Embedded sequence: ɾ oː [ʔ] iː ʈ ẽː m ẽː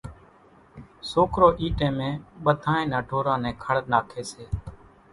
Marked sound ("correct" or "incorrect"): correct